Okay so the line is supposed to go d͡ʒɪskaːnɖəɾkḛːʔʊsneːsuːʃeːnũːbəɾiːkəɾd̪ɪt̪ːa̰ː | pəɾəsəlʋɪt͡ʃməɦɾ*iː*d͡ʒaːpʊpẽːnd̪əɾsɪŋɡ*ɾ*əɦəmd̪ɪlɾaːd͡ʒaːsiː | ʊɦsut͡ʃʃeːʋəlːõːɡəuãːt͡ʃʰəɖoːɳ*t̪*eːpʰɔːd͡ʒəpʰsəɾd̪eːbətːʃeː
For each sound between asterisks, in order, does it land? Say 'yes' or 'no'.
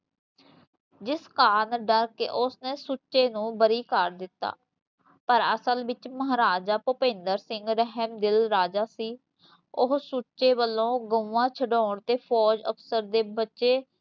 no, yes, yes

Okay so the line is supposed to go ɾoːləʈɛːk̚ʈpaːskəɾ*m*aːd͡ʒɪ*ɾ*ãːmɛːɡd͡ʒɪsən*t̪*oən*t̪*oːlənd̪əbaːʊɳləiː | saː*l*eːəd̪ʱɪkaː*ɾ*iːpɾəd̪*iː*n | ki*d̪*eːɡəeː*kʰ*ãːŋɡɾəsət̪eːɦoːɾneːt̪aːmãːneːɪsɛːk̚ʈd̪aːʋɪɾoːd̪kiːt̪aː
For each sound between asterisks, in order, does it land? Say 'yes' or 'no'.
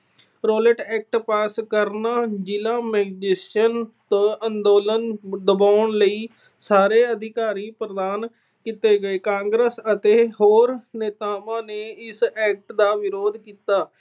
no, no, yes, no, no, yes, no, no, no

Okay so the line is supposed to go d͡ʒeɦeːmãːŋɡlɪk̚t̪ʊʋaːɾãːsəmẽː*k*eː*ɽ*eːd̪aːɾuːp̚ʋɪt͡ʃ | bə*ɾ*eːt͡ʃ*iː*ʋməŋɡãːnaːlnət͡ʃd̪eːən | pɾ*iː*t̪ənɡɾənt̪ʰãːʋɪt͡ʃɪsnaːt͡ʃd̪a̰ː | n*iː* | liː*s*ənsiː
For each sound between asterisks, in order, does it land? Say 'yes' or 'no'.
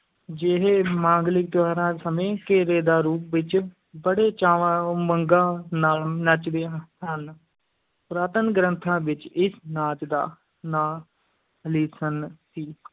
yes, no, no, no, no, no, yes

